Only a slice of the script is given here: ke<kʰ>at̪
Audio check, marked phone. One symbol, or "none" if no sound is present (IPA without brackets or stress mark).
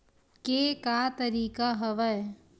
k